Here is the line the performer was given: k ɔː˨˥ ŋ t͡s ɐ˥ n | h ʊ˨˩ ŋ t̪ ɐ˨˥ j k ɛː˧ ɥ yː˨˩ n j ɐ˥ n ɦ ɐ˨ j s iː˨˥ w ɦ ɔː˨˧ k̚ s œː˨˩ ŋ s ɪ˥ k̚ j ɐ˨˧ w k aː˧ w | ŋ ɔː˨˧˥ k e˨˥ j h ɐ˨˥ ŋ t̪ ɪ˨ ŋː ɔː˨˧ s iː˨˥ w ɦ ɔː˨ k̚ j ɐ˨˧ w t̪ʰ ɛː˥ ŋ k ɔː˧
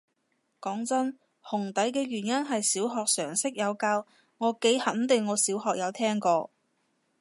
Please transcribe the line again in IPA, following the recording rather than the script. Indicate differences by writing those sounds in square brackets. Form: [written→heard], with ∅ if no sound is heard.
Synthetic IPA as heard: k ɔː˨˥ ŋ t͡s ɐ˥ n | h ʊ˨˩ ŋ t̪ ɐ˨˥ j k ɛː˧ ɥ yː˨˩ n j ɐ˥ n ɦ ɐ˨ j s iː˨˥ w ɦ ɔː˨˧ k̚ s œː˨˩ ŋ s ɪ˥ k̚ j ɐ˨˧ w k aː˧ w | ŋ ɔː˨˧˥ k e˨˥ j h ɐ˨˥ [ŋ→n] t̪ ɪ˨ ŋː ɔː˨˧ s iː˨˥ w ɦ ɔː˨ k̚ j ɐ˨˧ w t̪ʰ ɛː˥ ŋ k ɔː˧